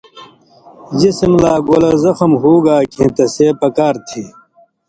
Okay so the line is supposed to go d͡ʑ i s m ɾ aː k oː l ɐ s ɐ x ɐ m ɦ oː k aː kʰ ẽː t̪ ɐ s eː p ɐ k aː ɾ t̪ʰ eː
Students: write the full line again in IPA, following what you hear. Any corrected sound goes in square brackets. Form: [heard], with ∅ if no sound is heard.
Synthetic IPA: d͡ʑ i s m [l] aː [ɡ] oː l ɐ [z] ɐ x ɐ m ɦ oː [ɡ] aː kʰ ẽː t̪ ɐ s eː p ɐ k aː ɾ t̪ʰ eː